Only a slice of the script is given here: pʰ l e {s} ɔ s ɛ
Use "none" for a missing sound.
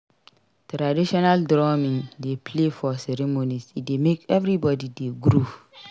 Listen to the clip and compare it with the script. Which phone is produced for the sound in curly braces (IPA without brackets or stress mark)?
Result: f